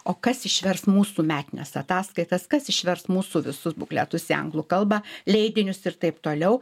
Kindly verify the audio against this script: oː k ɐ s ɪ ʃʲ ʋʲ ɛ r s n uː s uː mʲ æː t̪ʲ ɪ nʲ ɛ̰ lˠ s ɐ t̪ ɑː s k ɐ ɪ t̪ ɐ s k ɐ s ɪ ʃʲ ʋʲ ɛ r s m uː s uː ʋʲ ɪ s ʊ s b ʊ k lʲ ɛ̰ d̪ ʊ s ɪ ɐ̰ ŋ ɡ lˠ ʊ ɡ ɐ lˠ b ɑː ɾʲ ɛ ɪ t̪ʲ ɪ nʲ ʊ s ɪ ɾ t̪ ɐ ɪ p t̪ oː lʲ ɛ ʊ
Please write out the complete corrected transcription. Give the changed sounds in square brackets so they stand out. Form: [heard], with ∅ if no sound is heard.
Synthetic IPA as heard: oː k ɐ s ɪ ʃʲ ʋʲ ɛ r s [m] uː s uː mʲ æː t̪ʲ ɪ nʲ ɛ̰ [∅] s ɐ t̪ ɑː s k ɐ ɪ t̪ ɐ s k ɐ s ɪ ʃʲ ʋʲ ɛ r s m uː s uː ʋʲ ɪ s ʊ s b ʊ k lʲ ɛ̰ [t̪] ʊ s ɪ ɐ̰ ŋ ɡ lˠ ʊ [k] ɐ lˠ b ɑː [lʲ] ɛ ɪ [d̪ʲ] ɪ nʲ ʊ s ɪ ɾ t̪ ɐ ɪ p t̪ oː lʲ ɛ ʊ